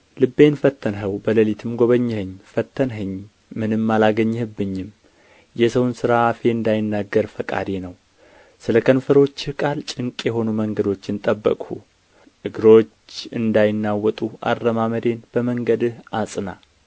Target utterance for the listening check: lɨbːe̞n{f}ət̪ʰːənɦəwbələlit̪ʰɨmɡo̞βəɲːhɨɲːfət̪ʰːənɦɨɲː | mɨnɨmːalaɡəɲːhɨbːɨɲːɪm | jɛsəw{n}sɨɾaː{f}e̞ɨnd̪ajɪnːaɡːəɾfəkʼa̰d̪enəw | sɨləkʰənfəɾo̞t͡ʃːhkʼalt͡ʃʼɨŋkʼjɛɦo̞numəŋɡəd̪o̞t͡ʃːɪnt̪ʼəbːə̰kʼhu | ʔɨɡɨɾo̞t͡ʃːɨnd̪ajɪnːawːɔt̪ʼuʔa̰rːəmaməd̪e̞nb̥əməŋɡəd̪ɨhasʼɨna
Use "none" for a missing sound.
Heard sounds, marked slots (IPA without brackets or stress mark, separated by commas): f, n, f